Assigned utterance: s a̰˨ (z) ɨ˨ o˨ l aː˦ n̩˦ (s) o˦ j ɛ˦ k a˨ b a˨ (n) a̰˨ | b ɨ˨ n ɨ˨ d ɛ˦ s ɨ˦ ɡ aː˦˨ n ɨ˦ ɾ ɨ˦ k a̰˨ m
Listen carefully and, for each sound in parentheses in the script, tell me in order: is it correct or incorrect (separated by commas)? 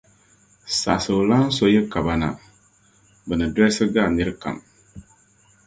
incorrect, correct, correct